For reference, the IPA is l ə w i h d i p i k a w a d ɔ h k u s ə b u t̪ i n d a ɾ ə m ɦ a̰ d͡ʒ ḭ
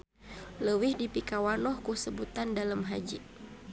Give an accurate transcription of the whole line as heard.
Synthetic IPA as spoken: l ə w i h d i p i k a w a n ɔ h k u s ə b u t̪ a n d a l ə m ɦ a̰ d͡ʒ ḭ